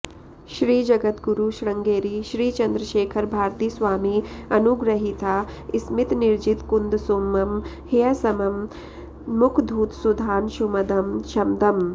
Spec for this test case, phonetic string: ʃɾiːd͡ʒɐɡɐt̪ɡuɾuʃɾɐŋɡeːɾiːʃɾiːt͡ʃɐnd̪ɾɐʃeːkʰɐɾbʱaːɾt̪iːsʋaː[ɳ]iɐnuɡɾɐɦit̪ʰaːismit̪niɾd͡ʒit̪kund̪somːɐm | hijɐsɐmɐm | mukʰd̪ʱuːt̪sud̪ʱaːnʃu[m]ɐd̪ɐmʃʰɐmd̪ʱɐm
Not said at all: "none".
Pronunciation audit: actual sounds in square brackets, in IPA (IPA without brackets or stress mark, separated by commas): m, m